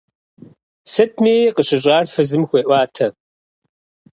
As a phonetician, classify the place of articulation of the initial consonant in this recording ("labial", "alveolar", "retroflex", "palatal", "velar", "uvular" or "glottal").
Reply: alveolar